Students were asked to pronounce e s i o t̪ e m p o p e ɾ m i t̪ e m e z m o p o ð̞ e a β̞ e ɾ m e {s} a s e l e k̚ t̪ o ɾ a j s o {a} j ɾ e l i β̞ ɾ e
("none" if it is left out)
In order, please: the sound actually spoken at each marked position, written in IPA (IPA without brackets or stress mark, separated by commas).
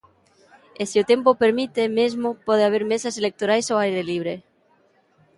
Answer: s, a